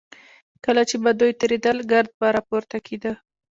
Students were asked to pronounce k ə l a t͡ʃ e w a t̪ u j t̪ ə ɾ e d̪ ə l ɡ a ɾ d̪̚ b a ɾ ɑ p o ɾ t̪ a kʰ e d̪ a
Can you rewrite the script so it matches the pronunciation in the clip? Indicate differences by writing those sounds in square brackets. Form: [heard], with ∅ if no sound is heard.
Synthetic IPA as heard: k ə l a t͡ʃ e [b] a [d̪] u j t̪ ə ɾ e d̪ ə l ɡ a ɾ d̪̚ b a ɾ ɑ p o ɾ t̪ a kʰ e d̪ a